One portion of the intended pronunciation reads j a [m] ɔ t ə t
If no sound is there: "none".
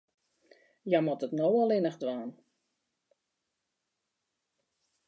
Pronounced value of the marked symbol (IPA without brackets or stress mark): m